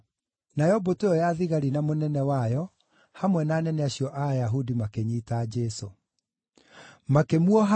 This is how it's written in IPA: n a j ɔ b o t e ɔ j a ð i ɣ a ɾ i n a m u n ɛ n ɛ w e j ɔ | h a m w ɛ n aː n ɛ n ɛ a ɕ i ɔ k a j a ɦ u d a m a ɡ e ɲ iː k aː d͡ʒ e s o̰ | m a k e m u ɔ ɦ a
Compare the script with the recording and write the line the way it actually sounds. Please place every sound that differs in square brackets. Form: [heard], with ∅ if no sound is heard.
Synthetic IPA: n a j ɔ b o t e ɔ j a ð i ɣ a ɾ i n a m [o] n ɛ n ɛ w [a] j ɔ | h a m w ɛ n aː n ɛ n ɛ a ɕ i ɔ [ʔ] a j a ɦ u d [i] m a [k] e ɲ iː [t] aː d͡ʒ [ɛ] s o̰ | m a k e m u ɔ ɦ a